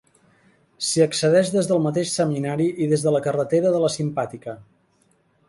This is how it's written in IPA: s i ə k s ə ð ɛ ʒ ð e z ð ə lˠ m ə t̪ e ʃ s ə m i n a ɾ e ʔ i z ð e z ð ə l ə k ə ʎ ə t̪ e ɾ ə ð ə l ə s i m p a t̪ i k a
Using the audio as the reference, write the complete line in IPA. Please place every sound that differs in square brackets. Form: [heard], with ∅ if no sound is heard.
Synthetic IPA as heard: s i ə k s ə ð ɛ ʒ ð e z ð ə lˠ m ə t̪ e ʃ s ə m i n a ɾ [i] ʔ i [∅] ð e z ð ə l ə k ə [r] ə t̪ e ɾ ə ð ə l ə s i m p a t̪ i k [ə]